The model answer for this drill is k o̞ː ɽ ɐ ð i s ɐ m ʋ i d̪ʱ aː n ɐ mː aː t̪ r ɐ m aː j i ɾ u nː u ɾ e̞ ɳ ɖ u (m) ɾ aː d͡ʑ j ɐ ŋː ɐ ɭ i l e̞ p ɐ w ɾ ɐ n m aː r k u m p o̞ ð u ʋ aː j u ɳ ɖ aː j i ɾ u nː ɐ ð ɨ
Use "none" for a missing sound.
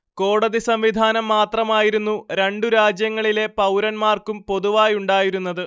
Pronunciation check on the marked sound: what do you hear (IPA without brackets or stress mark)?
none